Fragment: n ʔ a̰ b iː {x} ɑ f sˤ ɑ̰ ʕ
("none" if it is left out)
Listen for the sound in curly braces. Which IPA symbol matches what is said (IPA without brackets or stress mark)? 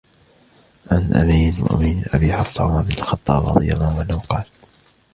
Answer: ħ